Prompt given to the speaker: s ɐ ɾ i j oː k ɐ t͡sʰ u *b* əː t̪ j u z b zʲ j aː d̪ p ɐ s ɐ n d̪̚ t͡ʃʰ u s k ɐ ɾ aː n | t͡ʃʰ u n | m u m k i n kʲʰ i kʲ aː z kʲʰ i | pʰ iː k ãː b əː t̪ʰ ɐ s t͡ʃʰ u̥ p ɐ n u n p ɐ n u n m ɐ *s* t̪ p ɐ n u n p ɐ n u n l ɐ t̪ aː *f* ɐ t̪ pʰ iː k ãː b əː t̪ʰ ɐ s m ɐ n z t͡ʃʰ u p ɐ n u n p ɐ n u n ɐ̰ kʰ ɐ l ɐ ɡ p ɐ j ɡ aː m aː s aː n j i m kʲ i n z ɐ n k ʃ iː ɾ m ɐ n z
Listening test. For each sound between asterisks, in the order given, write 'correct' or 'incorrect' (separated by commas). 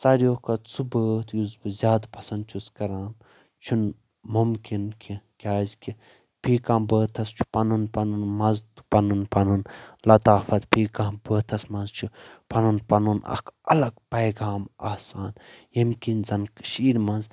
correct, incorrect, correct